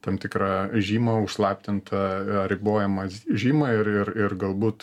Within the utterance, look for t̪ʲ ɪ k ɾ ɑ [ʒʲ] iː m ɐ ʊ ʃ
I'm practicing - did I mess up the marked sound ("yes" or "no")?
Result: no